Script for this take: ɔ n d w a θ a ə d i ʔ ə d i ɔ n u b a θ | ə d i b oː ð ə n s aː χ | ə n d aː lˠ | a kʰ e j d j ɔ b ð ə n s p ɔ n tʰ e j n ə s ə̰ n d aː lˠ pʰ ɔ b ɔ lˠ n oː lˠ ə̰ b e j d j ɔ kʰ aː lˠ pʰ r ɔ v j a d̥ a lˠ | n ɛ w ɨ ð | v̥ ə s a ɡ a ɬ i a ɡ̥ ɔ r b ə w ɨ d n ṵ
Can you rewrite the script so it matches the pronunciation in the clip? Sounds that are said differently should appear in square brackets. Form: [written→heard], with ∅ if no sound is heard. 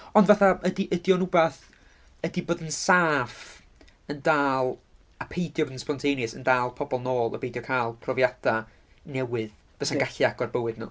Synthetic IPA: ɔ n d [w→v] a θ a ə d i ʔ ə d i ɔ n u b a θ | ə d i b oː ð ə n s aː [χ→f] | ə n d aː lˠ | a [kʰ→pʰ] e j d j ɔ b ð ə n s p ɔ n tʰ e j n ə s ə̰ n d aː lˠ pʰ ɔ b ɔ lˠ n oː lˠ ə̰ b e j d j ɔ kʰ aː lˠ pʰ r ɔ v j a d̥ a [lˠ→∅] | n ɛ w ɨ ð | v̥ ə s a ɡ a ɬ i a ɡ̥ ɔ r b ə w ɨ d n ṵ